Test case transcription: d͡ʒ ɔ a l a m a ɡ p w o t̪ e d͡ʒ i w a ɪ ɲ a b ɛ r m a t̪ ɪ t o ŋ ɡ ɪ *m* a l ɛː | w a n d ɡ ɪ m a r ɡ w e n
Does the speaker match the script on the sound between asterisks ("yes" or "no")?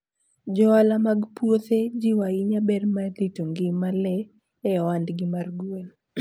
yes